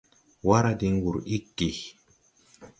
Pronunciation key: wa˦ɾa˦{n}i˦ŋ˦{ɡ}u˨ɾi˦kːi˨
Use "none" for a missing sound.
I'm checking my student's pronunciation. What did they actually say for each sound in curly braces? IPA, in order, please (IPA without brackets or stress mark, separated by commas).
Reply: d, ɡ